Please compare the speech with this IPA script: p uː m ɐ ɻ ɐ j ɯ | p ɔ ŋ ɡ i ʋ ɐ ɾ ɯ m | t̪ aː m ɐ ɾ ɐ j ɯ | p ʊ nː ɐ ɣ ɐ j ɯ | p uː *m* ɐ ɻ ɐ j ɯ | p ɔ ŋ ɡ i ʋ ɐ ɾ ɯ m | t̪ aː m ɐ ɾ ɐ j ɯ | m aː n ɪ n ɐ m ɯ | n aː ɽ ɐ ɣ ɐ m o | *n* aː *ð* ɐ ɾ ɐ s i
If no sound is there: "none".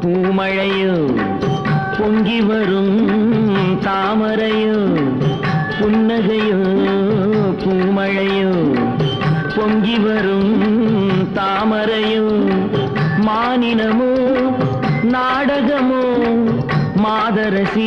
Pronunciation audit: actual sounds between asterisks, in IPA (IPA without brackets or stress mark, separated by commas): m, m, ð